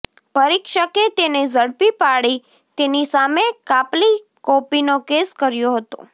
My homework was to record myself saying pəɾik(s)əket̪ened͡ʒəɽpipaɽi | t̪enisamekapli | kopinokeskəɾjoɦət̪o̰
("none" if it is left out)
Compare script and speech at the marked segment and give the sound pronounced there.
ʃ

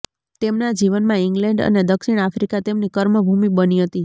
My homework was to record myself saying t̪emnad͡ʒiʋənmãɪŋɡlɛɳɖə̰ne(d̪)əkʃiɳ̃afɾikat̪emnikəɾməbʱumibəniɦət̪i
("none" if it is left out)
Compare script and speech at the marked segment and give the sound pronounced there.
d̪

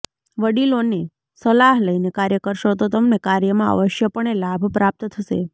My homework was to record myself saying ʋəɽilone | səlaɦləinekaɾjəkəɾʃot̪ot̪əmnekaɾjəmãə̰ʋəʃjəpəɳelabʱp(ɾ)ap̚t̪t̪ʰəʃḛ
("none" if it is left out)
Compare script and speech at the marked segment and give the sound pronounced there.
ɾ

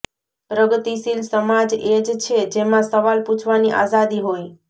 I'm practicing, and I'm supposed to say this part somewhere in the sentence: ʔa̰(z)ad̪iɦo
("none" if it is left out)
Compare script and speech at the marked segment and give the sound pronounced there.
z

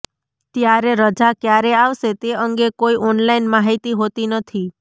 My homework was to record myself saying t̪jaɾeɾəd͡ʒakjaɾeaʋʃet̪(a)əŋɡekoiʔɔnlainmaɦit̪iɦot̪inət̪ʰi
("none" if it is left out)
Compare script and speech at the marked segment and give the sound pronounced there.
e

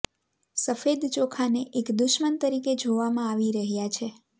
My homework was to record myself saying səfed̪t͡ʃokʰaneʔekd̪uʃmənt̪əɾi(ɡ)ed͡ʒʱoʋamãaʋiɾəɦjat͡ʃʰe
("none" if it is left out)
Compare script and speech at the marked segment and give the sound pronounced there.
k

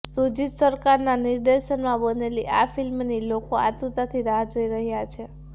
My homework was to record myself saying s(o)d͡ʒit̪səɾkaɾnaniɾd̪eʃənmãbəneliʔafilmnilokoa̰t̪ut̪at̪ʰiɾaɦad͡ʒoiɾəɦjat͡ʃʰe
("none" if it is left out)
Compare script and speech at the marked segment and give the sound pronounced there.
u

